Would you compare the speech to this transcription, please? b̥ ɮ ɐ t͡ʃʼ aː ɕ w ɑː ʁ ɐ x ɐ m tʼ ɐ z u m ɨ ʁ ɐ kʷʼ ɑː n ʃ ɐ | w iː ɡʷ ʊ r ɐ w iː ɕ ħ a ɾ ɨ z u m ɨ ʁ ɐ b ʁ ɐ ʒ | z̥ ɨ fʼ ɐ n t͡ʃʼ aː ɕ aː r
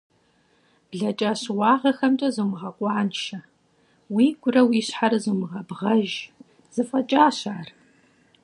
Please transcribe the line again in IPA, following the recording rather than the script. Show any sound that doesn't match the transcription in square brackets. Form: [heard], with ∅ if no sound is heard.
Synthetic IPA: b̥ ɮ ɐ t͡ʃʼ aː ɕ w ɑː ʁ ɐ x ɐ m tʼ ɐ z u m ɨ ʁ ɐ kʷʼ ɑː n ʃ ɐ | w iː ɡʷ ʊ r ɐ w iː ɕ ħ a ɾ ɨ z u m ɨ ʁ ɐ b ʁ ɐ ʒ | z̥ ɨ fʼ ɐ [∅] t͡ʃʼ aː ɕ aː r